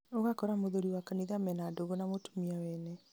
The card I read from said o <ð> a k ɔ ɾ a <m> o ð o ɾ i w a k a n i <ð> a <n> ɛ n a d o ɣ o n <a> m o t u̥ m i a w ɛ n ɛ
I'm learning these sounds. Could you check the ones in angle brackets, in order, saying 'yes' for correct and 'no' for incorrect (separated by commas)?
no, yes, yes, no, yes